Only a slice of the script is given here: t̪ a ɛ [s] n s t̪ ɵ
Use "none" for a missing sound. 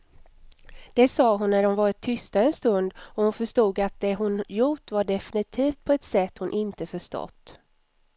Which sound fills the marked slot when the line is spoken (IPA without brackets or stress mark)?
none